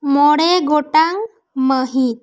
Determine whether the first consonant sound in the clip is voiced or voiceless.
voiced